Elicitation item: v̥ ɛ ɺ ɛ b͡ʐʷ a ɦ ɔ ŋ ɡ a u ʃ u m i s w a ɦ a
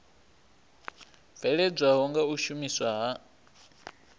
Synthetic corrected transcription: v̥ ɛ ɺ ɛ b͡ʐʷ a ɦ ɔ ŋ ɡ a u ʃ u m i s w a ɦ a